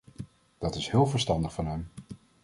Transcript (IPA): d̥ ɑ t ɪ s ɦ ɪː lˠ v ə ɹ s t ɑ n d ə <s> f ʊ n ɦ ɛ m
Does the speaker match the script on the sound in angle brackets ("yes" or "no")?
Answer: no